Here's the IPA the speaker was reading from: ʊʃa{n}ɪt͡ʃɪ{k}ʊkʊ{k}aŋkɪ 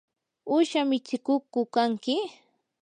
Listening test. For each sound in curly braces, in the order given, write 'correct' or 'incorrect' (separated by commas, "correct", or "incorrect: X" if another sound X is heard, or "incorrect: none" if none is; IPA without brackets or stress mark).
incorrect: m, correct, correct